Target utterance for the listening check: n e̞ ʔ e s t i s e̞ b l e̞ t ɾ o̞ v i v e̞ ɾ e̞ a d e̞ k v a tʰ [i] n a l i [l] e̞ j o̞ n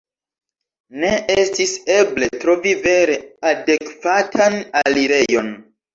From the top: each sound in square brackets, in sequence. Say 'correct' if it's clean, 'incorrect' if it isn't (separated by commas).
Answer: incorrect, incorrect